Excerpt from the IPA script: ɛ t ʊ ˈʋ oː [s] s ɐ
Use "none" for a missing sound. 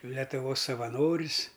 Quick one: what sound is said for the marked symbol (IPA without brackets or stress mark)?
s